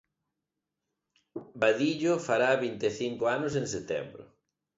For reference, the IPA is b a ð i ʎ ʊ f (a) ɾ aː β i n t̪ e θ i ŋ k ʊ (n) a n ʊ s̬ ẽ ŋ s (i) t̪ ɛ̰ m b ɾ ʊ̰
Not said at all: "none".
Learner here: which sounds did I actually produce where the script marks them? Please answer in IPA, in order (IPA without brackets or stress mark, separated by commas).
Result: a, none, e